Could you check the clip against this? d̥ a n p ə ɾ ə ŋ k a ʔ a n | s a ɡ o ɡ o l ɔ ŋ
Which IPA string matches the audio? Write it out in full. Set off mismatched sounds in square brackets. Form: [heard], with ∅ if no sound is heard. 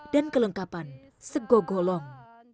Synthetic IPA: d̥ a n [k] ə [l] ə ŋ k a [p] a n | s [ə] ɡ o ɡ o l ɔ ŋ